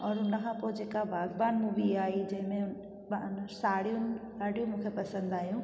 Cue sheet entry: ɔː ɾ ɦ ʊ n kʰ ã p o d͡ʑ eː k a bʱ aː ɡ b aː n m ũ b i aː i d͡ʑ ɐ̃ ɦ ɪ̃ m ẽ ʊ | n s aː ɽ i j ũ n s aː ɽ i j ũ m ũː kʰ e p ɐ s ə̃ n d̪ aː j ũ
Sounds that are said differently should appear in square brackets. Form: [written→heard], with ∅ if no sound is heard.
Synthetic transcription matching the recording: ɔː ɾ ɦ ʊ n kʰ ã p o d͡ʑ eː k a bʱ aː ɡ b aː n m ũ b i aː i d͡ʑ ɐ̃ ɦ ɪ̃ m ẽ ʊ | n s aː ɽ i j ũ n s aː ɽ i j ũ m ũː kʰ e p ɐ s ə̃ n d̪ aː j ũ